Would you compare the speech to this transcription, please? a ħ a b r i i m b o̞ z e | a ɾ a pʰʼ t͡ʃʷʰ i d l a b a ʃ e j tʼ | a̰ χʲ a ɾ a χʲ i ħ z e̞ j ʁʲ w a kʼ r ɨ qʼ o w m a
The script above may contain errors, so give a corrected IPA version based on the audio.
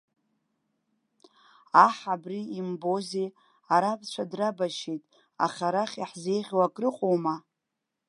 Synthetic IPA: a ħ a b r i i m b o̞ z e | a ɾ a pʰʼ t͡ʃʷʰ a d r a b a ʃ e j tʼ | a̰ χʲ a ɾ a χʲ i ħ z e̞ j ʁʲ w a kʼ r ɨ qʼ o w m a